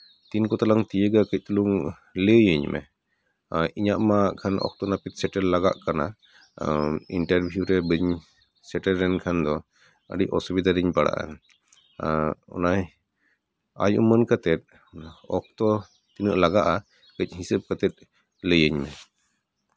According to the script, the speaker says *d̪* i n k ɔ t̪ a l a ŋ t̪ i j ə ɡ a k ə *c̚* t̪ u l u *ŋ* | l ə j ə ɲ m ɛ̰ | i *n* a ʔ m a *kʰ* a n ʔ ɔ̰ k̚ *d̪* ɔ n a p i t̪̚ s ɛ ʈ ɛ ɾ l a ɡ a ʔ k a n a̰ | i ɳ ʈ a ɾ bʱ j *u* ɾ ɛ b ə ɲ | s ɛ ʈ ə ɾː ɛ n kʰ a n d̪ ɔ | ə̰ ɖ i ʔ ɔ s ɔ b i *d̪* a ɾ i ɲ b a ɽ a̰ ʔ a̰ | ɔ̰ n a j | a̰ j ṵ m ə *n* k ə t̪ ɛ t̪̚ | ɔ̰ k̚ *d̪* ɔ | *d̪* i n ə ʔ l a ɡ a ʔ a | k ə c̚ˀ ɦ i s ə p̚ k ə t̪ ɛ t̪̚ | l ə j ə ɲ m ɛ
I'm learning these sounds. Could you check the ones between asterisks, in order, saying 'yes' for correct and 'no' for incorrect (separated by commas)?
no, yes, yes, no, yes, no, yes, yes, yes, no, no